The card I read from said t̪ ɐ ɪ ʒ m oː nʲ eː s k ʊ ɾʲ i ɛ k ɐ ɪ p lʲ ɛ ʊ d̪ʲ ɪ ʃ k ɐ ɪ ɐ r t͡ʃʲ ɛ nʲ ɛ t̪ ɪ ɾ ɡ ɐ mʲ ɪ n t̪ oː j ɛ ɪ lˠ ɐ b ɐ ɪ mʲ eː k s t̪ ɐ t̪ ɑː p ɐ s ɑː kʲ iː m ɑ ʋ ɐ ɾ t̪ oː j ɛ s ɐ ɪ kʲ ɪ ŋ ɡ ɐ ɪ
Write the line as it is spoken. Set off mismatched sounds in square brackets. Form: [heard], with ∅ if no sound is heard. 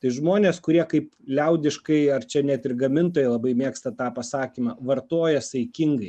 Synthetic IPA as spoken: t̪ ɐ ɪ ʒ m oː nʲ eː s k ʊ ɾʲ i ɛ k ɐ ɪ p lʲ ɛ ʊ d̪ʲ ɪ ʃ k ɐ ɪ ɐ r t͡ʃʲ ɛ nʲ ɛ t̪ ɪ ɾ ɡ ɐ mʲ ɪ n t̪ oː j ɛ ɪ lˠ ɐ b ɐ ɪ mʲ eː k s t̪ ɐ t̪ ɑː p ɐ s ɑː kʲ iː m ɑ ʋ ɐ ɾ t̪ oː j ɛ s ɐ ɪ kʲ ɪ ŋ ɡ ɐ ɪ